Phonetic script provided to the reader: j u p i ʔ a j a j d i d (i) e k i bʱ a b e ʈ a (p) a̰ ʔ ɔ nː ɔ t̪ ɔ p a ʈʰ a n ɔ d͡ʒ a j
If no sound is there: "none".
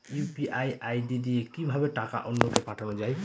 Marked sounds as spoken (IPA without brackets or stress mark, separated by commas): i, k